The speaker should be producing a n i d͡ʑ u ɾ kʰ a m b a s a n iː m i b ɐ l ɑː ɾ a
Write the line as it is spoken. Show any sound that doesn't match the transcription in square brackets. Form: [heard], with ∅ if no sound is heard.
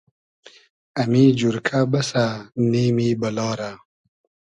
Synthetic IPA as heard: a [m] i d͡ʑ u ɾ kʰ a [∅] b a s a n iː m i b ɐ l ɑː ɾ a